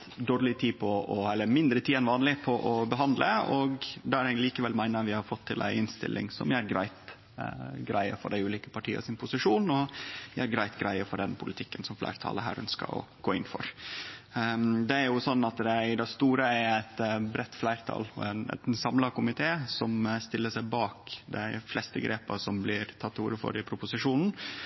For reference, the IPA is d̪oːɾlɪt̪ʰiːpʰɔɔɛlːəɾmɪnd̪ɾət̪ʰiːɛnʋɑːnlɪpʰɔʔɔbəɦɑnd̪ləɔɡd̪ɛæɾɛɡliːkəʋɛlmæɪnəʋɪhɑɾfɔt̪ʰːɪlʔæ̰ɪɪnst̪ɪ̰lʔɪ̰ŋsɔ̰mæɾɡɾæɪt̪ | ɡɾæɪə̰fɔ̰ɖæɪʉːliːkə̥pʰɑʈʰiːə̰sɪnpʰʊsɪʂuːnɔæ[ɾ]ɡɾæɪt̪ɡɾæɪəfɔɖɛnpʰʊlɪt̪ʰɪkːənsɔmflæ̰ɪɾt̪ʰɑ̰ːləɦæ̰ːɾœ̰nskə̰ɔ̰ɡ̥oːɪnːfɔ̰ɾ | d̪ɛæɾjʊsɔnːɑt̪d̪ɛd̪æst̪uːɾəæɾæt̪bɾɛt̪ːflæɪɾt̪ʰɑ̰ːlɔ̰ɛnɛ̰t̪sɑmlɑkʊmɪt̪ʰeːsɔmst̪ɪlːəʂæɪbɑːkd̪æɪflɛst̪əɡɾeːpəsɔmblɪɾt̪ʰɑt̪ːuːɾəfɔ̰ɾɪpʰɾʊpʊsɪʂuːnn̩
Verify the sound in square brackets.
correct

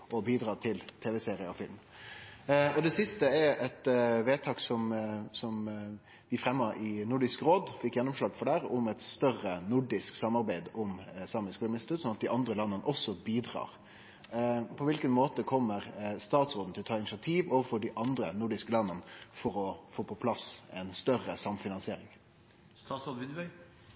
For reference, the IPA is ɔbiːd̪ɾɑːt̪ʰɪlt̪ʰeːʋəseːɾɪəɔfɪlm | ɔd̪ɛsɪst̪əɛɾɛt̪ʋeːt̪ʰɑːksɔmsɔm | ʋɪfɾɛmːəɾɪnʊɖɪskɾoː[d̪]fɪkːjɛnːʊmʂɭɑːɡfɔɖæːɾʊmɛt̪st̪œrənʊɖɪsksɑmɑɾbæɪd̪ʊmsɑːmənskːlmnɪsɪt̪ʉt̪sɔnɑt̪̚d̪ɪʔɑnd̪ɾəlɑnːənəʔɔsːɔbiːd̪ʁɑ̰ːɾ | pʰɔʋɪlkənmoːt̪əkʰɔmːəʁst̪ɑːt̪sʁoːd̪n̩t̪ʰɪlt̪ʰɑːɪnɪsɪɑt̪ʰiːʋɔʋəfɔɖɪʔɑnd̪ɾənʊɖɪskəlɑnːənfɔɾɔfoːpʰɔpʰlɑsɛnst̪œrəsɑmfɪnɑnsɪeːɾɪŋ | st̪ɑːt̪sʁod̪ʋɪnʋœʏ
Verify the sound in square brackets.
correct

